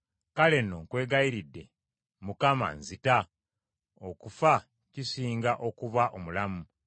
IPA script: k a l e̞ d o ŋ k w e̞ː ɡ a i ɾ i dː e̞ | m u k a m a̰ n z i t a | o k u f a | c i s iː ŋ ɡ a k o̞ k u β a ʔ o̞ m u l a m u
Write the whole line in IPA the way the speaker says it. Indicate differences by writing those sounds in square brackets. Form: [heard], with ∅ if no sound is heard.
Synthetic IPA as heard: k a l e̞ [n] o ŋ k w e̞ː ɡ a i ɾ i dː e̞ | m u k a m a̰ n z i t a | o k u f a | c i s iː ŋ ɡ a [ʔ] o̞ k u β a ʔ o̞ m u l a m u